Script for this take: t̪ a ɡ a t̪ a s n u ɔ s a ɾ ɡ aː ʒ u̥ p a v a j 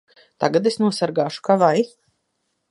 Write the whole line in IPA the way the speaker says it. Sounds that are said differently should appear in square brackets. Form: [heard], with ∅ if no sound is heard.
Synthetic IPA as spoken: t̪ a ɡ a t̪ [e] s n u ɔ s a ɾ ɡ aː [ʃ] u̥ [k] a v a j